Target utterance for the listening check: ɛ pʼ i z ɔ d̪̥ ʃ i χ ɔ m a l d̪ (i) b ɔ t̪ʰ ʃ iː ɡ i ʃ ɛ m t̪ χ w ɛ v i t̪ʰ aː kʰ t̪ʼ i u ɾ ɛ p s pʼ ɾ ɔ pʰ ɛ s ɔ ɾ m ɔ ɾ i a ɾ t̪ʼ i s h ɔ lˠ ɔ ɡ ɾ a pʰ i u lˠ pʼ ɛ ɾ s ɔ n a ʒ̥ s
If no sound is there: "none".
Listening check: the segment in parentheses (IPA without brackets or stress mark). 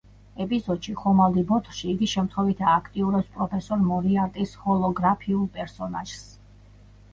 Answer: i